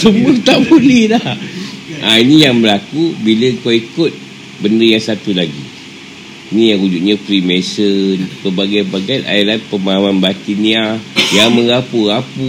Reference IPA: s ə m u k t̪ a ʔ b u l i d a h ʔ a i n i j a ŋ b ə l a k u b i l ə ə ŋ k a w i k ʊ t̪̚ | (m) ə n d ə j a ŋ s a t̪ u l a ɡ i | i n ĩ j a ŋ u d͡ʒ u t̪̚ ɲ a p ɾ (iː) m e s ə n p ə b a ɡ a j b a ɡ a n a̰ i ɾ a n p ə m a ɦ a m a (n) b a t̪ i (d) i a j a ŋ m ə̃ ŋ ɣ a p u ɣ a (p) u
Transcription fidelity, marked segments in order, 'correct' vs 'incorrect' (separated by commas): incorrect, incorrect, correct, incorrect, correct